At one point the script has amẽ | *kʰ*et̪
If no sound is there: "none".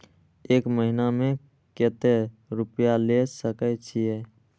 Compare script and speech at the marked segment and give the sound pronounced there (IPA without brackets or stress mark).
k